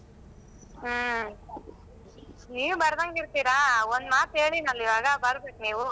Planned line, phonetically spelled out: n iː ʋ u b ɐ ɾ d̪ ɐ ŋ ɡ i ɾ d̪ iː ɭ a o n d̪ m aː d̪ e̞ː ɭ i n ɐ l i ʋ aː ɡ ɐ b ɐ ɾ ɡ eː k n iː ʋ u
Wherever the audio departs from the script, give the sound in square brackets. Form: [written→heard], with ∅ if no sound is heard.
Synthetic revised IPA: n iː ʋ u b ɐ ɾ d̪ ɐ ŋ ɡ i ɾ [d̪→t̪] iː [ɭ→ɾ] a o n d̪ m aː [d̪→t̪] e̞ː ɭ i n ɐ l i ʋ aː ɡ ɐ b ɐ ɾ [ɡ→b] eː k n iː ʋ u